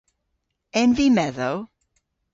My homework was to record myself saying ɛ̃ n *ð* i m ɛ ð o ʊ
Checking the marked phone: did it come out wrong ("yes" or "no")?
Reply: yes